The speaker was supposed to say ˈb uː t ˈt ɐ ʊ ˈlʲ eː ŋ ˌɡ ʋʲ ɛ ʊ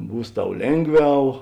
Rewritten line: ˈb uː s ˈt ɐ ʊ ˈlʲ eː ŋ ˌɡ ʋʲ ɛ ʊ